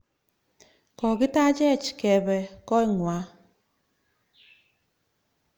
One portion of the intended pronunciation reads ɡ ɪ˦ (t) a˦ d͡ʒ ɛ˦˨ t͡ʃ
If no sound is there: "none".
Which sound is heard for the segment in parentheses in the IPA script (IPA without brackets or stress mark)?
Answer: t